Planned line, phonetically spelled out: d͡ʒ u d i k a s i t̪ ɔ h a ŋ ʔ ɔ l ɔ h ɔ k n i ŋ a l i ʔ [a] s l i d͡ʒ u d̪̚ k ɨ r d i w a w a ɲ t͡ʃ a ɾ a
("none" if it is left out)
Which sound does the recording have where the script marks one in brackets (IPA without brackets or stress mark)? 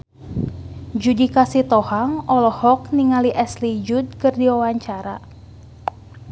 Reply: ɛ